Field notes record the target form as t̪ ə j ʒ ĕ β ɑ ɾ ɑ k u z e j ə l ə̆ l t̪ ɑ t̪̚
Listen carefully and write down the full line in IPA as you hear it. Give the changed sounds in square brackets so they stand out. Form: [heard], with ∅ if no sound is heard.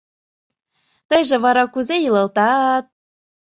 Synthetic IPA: t̪ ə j ʒ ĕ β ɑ ɾ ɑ k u z e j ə l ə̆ l t̪ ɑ t̪̚